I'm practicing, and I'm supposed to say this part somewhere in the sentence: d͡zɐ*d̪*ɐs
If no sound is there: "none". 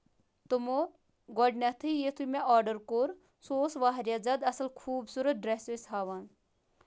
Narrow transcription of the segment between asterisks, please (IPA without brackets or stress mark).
d̪